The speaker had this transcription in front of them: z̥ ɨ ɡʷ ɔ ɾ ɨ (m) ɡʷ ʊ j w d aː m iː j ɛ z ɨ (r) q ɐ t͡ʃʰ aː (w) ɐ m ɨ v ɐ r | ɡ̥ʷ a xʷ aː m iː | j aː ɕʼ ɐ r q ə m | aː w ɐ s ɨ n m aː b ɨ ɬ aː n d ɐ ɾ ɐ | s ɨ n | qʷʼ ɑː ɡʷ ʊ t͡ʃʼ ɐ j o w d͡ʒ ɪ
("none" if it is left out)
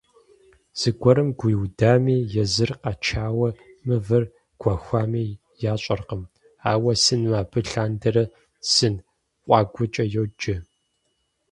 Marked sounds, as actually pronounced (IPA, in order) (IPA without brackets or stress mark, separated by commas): m, r, w